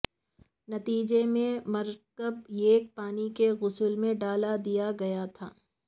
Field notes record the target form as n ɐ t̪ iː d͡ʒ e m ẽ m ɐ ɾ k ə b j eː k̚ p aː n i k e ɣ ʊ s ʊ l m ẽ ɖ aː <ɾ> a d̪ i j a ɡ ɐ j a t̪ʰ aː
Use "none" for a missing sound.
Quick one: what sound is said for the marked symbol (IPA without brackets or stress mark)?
l